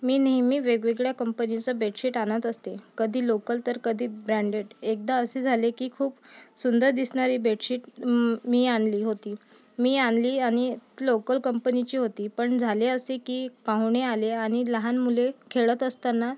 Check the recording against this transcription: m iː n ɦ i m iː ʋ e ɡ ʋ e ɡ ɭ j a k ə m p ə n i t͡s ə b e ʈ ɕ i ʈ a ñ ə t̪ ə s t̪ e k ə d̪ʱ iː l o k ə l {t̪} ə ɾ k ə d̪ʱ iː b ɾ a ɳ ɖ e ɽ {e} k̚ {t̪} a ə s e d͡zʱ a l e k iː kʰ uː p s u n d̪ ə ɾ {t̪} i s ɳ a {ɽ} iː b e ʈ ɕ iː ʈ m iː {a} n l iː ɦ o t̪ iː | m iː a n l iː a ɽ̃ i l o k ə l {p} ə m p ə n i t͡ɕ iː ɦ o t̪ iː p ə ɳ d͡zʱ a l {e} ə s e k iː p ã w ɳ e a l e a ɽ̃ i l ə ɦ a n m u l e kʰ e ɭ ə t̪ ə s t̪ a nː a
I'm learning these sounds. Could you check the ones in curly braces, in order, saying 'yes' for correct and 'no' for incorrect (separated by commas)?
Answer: yes, yes, no, no, no, yes, no, yes